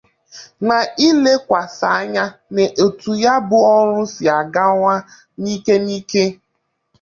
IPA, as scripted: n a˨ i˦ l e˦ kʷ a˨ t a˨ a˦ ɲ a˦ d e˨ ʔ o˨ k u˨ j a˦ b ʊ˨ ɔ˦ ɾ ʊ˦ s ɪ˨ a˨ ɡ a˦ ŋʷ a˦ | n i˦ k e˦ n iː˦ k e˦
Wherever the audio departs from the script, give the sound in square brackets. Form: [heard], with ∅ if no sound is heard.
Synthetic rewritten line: n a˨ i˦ l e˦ kʷ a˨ [s] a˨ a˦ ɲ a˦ [n] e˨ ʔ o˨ [t] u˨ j a˦ b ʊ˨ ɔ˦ ɾ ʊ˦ s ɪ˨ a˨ ɡ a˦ ŋʷ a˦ | n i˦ k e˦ n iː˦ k e˦